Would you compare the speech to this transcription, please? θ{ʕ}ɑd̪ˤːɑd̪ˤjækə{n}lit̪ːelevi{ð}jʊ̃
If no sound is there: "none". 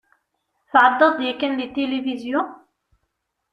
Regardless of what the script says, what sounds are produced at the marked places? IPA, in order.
ʕ, n, z

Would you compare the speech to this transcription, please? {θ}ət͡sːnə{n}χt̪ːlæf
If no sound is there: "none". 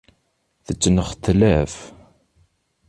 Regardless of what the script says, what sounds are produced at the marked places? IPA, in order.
θ, none

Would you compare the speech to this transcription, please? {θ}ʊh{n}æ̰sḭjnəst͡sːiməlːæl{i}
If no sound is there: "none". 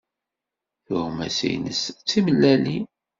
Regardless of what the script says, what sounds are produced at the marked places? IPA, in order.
θ, m, i

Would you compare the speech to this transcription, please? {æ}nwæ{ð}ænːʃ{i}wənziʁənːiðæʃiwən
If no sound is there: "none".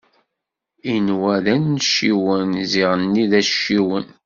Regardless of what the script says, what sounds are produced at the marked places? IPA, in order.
i, ð, i

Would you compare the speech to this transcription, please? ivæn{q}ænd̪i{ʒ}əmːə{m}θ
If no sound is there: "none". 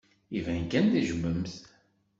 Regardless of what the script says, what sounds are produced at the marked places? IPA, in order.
k, ʒ, m

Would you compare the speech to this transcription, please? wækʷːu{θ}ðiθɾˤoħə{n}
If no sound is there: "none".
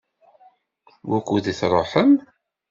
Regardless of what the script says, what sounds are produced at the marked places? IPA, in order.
none, m

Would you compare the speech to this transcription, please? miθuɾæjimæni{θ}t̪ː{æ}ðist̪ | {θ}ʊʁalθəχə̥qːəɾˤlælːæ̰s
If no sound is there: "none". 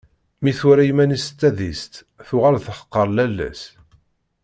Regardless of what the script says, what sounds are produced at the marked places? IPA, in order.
s, æ, θ

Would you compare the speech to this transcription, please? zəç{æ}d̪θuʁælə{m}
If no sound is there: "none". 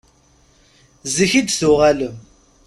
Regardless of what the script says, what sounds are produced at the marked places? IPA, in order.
i, m

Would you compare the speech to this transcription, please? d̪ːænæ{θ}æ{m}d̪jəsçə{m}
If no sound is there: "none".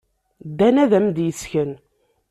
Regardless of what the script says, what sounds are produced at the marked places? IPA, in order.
ð, m, n

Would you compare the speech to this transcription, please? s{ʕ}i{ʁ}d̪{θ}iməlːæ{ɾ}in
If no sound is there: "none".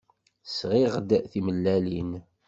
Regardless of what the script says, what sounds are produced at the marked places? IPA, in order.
ʁ, ʁ, θ, l

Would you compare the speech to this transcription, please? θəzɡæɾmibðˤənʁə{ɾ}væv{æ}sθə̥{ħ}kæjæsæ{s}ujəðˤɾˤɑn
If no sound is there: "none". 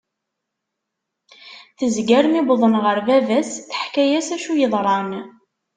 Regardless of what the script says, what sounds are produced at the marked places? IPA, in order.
ɾ, æ, ħ, ʃ

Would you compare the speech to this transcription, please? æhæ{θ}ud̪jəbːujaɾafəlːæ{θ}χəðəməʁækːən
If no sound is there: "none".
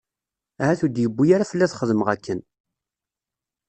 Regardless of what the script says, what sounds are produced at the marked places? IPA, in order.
θ, θ

